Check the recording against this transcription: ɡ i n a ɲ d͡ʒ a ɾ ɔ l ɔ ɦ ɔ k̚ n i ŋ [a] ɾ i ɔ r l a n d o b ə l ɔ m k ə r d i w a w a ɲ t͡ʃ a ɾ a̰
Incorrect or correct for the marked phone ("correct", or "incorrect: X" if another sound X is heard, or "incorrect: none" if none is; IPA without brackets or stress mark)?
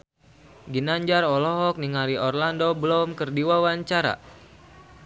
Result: correct